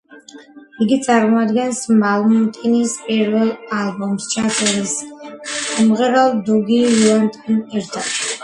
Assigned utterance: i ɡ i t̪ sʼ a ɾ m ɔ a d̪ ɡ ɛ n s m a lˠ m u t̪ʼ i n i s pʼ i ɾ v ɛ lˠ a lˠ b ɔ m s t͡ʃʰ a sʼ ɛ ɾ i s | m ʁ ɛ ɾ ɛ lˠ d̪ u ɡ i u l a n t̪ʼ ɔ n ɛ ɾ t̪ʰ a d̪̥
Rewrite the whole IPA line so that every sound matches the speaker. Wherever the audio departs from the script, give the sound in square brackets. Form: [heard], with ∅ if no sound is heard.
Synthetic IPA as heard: i ɡ i t̪ sʼ a ɾ m ɔ a d̪ ɡ ɛ n s m a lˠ m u t̪ʼ i n i s pʼ i ɾ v ɛ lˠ a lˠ b ɔ m s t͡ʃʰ a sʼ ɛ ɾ i s | m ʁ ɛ ɾ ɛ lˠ d̪ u ɡ i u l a n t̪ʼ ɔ n ɛ ɾ t̪ʰ a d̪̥

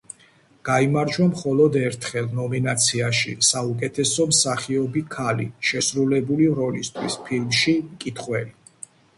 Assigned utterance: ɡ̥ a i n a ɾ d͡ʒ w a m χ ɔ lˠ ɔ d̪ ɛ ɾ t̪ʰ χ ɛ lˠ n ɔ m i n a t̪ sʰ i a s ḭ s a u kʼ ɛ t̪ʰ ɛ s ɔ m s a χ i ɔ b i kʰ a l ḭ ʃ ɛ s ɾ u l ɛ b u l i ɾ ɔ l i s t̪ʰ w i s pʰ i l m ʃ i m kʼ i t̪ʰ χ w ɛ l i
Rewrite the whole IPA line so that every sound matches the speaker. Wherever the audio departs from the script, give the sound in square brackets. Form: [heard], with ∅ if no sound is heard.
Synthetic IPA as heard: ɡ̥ a i [m] a ɾ d͡ʒ w a m χ ɔ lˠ ɔ d̪ ɛ ɾ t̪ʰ χ ɛ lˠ n ɔ m i n a t̪ sʰ i a [ʃ] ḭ s a u kʼ ɛ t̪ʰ ɛ s ɔ m s a χ i ɔ b i kʰ a l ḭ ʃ ɛ s ɾ u l ɛ b u l i ɾ ɔ l i s t̪ʰ w i s pʰ i l m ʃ i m kʼ i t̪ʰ χ w ɛ l i

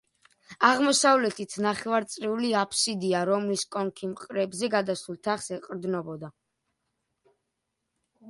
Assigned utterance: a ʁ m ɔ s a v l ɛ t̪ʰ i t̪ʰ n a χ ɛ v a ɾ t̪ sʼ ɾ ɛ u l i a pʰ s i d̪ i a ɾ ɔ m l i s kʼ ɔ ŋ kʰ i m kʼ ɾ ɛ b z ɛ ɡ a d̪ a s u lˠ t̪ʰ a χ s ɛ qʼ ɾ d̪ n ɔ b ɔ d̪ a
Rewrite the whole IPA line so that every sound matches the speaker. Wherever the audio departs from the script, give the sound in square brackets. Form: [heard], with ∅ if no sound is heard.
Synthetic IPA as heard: a ʁ m ɔ s a v l ɛ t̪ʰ i t̪ʰ n a χ ɛ v a ɾ t̪ sʼ ɾ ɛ u l i a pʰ s i d̪ i a ɾ ɔ m l i s kʼ ɔ ŋ kʰ i m [qʼ] ɾ ɛ b z ɛ ɡ a d̪ a s u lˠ t̪ʰ a χ s ɛ qʼ ɾ d̪ n ɔ b ɔ d̪ a

